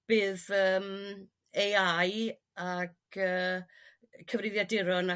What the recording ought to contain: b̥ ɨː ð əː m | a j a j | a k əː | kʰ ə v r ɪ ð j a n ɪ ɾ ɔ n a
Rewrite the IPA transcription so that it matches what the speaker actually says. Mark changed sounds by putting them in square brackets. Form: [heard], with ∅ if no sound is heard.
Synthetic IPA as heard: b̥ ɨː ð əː m | [e] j a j | a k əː | kʰ ə v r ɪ ð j a [d] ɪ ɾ ɔ n a